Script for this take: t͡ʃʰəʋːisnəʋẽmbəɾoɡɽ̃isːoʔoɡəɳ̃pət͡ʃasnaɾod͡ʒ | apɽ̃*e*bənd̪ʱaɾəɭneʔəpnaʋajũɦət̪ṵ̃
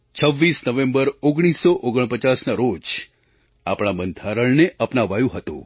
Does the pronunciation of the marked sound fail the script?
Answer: yes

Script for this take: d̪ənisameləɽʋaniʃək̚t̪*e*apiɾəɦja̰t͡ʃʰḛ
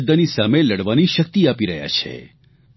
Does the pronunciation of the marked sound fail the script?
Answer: yes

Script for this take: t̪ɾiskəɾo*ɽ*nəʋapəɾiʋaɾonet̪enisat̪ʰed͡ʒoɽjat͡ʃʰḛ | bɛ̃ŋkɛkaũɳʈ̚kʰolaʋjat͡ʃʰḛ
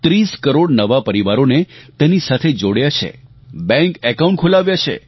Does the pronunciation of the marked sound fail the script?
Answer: no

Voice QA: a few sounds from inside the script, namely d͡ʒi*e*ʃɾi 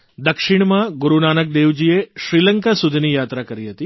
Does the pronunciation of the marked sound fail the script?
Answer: no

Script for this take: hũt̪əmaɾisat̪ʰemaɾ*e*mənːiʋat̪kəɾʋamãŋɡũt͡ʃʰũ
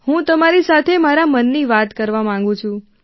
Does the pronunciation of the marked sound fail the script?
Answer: yes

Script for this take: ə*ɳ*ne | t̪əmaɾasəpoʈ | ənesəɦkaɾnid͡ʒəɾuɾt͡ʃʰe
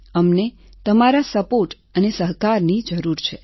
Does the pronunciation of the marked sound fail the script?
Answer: yes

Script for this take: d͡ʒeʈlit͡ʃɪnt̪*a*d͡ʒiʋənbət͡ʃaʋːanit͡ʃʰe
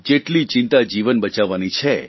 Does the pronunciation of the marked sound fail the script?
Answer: no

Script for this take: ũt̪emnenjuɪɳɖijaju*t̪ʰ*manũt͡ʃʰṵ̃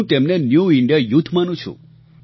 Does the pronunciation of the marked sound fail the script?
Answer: no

